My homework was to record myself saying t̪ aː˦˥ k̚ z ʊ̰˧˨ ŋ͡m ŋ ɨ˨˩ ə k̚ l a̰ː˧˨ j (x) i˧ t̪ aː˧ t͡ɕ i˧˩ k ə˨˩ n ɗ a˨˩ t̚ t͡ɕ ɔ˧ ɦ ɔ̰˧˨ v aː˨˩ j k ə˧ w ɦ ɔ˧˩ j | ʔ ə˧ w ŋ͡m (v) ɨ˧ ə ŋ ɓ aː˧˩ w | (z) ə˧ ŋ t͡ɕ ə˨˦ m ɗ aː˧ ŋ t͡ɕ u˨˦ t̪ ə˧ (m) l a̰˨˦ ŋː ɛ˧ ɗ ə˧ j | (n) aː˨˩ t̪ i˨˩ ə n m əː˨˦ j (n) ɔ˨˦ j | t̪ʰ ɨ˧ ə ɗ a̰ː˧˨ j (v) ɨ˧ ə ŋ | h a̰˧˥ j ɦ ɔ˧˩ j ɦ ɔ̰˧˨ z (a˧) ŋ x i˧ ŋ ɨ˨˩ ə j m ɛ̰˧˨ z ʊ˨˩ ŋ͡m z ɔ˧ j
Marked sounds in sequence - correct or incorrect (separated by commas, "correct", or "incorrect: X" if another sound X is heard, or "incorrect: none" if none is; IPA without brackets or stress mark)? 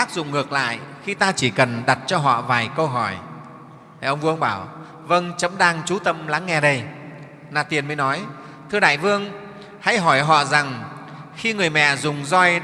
correct, correct, incorrect: v, correct, correct, correct, correct, incorrect: a˨˩